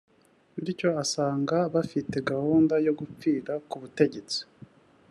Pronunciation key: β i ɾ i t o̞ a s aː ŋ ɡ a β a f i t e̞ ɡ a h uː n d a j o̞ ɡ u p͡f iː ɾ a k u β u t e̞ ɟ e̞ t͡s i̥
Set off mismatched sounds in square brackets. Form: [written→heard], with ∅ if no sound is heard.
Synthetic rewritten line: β i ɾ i [t→c] o̞ a s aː ŋ ɡ a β a f i t e̞ ɡ a h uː n d a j o̞ ɡ u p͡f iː ɾ a k u β u t e̞ ɟ e̞ t͡s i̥